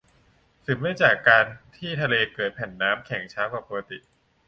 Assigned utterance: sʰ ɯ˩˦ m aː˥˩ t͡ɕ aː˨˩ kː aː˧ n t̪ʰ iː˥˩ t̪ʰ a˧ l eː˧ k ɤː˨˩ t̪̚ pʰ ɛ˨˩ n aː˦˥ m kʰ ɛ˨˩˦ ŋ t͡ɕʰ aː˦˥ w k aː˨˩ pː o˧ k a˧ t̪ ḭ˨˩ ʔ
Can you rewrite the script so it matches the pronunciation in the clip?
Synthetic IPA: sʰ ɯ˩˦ m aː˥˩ t͡ɕ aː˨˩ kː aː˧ n t̪ʰ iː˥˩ t̪ʰ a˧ l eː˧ k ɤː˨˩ t̪̚ pʰ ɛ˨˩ nː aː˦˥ m kʰ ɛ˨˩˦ ŋ t͡ɕʰ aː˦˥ w k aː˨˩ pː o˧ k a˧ t̪ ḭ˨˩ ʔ